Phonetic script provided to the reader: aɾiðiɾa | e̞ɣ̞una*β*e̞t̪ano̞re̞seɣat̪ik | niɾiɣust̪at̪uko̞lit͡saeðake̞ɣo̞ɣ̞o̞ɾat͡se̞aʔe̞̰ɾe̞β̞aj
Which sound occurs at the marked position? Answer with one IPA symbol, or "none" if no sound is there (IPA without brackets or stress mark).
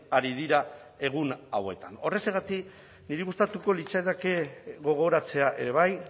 w